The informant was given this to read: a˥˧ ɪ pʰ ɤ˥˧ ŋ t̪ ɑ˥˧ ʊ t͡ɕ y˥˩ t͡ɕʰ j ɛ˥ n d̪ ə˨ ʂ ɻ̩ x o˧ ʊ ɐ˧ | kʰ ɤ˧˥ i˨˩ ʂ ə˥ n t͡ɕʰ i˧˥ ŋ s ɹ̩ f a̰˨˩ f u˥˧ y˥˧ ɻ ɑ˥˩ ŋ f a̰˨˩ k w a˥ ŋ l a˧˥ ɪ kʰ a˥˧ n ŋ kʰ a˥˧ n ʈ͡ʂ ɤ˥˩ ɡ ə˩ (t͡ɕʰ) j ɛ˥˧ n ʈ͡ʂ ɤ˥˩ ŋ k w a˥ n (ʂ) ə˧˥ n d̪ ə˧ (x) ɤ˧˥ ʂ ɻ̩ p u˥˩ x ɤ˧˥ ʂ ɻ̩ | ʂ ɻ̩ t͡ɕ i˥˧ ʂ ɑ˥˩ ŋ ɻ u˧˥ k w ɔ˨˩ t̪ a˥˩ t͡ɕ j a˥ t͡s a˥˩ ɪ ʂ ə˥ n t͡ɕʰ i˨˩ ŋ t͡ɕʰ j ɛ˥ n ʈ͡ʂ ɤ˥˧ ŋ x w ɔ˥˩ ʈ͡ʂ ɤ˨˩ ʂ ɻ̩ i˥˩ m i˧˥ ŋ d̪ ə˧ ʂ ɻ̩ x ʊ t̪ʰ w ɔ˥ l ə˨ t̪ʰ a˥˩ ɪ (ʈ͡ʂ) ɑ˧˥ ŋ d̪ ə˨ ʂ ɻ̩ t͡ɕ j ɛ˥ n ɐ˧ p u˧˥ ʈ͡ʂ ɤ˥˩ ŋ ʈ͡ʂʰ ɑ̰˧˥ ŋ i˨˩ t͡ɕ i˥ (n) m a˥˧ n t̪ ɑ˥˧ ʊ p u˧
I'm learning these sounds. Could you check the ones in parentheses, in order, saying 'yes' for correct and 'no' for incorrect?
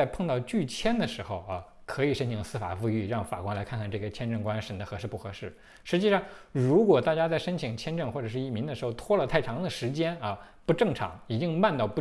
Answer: yes, yes, yes, no, no

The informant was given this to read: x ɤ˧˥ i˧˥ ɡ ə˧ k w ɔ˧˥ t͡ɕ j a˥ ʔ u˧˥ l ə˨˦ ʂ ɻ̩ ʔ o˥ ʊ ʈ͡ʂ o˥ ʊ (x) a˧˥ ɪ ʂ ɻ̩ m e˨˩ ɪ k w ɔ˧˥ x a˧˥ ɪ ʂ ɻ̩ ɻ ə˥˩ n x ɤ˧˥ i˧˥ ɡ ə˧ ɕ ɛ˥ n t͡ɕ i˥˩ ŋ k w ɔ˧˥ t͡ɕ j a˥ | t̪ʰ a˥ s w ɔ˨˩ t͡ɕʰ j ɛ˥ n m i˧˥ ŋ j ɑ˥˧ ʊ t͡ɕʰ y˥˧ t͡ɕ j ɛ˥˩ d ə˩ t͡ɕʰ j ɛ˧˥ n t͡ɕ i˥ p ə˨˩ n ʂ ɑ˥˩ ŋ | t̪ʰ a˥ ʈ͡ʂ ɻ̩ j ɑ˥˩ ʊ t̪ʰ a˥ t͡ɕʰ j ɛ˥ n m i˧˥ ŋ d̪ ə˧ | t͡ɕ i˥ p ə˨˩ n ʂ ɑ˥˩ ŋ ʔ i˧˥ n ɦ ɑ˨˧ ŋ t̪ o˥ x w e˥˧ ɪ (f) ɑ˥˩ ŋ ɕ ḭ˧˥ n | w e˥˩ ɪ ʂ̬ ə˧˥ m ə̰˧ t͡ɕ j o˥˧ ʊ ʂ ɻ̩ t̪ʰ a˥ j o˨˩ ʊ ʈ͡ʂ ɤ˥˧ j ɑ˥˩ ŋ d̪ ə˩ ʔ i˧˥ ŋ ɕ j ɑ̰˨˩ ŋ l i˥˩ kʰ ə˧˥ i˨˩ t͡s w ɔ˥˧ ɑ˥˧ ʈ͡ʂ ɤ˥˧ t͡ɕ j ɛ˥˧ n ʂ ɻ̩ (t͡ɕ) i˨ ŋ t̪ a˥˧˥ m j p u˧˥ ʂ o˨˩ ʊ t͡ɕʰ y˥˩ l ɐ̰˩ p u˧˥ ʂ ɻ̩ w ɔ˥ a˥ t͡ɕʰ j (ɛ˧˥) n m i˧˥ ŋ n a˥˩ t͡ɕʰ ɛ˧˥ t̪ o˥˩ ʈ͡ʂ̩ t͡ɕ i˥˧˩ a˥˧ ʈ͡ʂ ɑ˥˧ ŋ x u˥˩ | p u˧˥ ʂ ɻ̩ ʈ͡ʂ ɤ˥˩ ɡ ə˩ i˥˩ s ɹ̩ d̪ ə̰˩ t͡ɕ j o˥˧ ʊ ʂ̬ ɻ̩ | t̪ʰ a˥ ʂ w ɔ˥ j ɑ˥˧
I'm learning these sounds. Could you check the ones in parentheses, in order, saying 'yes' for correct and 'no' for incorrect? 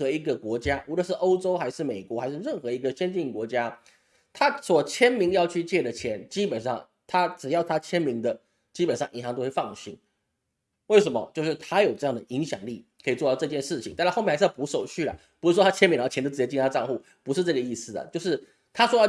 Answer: yes, yes, no, no

